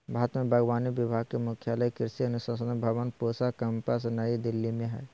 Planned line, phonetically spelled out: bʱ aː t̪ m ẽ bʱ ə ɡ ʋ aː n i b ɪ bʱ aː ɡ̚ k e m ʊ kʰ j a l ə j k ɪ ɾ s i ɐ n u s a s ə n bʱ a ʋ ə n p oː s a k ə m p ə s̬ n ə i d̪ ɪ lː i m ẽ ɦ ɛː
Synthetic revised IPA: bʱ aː t̪ m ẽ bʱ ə ɡ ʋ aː n i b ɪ bʱ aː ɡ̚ k e m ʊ kʰ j a l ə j k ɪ ɾ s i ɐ n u s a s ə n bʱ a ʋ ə n p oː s a k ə m p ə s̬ n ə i d̪ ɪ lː i m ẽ ɦ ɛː